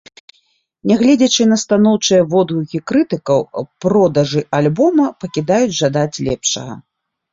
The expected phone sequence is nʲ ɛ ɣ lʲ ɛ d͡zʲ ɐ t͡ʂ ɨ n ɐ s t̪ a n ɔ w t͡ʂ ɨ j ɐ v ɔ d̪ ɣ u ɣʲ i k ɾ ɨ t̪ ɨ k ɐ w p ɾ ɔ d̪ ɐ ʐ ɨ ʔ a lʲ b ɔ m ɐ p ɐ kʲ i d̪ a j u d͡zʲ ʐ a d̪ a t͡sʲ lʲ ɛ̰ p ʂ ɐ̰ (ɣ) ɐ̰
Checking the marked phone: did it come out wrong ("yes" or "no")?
no